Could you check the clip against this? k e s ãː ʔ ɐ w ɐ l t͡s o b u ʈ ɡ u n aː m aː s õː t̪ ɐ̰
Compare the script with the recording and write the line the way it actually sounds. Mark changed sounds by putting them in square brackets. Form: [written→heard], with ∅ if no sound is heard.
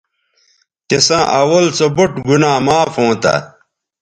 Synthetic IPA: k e s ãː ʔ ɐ w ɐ l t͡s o b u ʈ ɡ u n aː m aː [s→f] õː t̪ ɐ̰